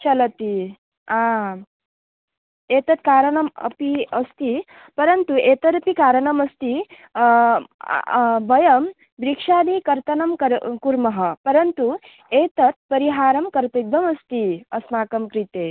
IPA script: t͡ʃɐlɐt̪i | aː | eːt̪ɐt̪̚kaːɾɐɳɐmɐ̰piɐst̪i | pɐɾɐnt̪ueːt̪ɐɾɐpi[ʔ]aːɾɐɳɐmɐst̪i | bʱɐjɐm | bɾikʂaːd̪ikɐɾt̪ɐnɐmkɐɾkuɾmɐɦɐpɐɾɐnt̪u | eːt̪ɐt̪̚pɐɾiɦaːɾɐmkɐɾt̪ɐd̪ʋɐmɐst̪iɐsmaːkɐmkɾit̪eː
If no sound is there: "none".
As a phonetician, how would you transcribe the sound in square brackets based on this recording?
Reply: k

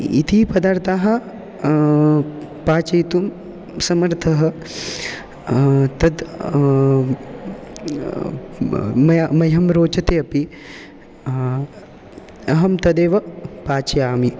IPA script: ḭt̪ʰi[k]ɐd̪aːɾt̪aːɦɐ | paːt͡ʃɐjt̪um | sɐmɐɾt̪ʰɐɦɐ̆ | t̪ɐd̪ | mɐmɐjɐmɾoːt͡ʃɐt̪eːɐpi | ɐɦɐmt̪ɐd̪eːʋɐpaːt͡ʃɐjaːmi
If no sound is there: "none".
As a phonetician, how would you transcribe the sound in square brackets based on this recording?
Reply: p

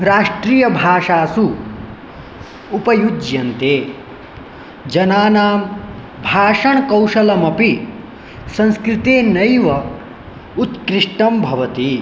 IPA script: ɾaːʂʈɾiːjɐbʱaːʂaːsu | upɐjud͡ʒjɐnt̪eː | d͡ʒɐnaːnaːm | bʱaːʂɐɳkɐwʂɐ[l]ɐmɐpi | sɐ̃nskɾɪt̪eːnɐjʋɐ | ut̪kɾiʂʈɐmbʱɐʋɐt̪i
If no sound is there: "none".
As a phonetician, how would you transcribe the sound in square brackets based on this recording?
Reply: l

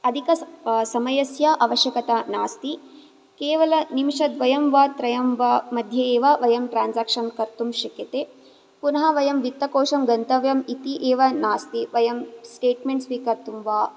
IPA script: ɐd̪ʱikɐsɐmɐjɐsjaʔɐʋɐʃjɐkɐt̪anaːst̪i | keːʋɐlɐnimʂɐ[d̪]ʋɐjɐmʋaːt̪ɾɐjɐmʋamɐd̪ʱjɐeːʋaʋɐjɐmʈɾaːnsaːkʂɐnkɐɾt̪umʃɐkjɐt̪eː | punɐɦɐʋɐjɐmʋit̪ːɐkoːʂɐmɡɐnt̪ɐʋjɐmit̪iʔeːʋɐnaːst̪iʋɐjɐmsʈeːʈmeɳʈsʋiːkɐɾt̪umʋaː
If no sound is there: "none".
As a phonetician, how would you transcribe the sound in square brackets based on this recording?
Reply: d̪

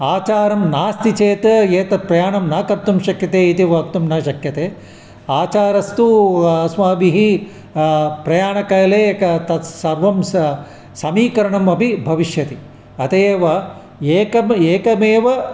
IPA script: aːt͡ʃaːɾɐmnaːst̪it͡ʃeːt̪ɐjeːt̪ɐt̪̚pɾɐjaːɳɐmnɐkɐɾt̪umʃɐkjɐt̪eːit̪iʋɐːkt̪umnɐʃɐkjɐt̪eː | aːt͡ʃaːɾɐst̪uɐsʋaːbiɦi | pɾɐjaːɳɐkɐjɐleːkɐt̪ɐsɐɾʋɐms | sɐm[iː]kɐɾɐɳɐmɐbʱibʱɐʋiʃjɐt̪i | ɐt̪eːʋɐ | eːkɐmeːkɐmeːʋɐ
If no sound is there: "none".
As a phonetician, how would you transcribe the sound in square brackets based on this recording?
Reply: iː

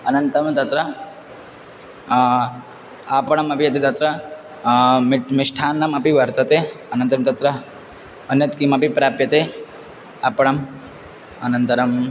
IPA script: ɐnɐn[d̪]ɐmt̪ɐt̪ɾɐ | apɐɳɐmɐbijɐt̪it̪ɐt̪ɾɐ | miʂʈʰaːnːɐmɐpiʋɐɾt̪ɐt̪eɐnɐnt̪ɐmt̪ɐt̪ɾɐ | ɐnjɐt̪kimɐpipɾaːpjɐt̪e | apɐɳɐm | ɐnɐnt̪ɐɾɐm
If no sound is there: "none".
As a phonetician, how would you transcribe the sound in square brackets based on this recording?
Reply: t̪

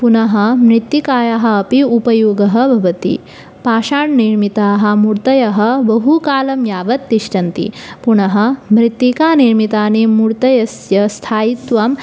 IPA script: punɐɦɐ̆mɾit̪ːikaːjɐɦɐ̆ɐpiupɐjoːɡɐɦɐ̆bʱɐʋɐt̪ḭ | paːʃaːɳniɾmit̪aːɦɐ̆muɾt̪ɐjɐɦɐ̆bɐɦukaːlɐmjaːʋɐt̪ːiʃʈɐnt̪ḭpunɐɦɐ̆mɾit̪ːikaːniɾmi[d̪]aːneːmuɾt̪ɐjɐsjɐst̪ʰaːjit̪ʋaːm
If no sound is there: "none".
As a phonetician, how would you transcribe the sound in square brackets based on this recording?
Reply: t̪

